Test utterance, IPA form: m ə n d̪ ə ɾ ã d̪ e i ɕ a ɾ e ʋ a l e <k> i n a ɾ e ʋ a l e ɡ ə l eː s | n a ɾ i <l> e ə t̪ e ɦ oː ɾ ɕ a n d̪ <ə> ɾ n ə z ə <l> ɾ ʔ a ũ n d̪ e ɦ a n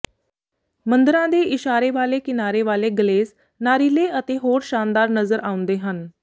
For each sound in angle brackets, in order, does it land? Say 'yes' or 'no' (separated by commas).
yes, yes, no, no